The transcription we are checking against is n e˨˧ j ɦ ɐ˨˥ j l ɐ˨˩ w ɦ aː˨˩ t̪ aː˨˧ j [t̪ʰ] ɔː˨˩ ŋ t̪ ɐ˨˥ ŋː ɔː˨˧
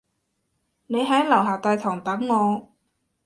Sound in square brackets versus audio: correct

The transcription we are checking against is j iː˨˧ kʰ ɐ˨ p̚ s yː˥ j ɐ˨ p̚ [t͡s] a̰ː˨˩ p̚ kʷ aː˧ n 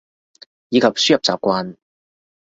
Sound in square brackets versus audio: correct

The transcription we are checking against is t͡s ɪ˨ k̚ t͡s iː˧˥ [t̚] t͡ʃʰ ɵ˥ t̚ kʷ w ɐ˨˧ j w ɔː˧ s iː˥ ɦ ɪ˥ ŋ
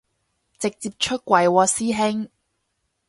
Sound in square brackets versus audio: incorrect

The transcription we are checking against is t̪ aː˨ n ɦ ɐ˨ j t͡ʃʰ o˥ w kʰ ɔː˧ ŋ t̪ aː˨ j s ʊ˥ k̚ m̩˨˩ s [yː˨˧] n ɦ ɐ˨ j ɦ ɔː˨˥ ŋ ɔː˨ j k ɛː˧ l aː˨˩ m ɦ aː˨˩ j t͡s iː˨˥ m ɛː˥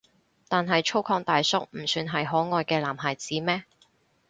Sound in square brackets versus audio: correct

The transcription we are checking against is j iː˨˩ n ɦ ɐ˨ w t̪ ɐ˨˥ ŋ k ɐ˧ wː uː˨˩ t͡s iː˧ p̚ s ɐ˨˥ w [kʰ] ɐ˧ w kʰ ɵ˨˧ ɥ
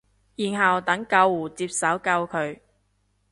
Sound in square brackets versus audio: incorrect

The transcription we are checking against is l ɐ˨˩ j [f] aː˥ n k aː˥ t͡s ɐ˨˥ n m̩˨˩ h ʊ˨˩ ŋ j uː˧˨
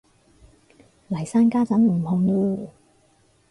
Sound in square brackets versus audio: incorrect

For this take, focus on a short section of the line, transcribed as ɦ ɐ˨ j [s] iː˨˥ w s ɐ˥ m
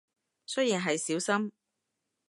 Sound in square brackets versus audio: correct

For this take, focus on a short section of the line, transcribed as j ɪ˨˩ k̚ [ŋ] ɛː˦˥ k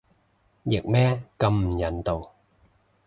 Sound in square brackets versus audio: incorrect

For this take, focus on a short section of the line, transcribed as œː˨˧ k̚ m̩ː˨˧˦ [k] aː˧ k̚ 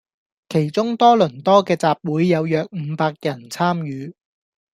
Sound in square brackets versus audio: incorrect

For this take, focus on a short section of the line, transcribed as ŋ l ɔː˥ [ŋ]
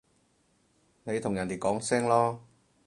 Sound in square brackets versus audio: incorrect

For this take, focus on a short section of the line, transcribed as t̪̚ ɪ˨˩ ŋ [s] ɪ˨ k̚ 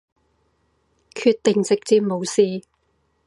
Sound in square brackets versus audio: incorrect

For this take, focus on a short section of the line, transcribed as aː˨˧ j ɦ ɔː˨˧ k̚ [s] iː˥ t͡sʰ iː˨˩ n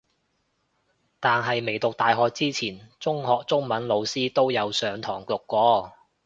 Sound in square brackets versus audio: incorrect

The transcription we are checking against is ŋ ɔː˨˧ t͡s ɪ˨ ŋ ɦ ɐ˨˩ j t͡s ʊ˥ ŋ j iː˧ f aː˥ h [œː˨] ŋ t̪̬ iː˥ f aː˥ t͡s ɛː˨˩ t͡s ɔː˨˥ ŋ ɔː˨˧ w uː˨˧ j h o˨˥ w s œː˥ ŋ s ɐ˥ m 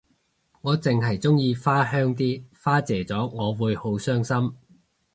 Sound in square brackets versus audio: incorrect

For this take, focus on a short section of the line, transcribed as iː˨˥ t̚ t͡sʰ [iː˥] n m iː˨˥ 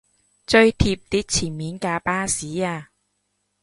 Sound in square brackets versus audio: incorrect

